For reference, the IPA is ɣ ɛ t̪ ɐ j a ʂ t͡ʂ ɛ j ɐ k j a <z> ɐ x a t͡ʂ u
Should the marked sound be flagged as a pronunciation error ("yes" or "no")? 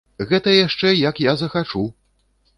no